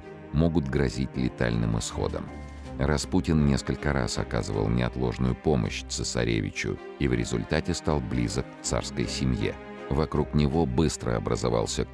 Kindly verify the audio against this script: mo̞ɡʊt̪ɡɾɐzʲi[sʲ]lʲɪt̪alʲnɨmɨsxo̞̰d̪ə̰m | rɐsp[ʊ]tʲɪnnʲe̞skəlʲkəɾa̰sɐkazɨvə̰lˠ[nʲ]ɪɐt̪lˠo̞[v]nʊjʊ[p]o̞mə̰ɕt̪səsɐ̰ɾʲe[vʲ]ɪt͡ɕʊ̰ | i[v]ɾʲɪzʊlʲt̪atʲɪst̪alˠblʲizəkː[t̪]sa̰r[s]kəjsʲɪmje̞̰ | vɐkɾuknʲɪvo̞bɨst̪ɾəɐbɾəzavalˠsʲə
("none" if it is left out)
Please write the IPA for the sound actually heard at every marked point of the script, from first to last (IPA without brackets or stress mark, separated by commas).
tʲ, u, nʲ, ʐ, p, vʲ, v, t̪, s